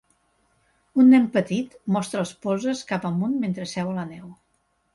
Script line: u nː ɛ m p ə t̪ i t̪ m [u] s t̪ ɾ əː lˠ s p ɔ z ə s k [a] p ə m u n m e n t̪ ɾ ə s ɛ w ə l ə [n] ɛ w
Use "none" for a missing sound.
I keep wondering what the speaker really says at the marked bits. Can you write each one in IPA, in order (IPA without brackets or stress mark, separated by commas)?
ɔ, a, n